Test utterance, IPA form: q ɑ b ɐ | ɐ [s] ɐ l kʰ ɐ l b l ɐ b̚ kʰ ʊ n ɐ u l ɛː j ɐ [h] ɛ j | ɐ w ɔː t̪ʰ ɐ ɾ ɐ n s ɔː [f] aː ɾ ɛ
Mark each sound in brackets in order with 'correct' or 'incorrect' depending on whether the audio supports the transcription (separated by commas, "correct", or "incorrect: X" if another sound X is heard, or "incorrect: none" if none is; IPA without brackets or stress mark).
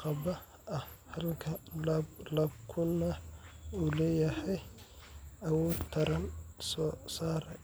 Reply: incorrect: h, correct, incorrect: s